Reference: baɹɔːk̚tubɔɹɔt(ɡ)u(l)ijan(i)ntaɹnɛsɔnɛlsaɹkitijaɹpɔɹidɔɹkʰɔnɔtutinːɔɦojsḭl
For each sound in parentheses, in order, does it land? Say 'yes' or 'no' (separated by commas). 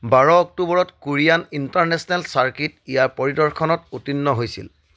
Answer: no, no, yes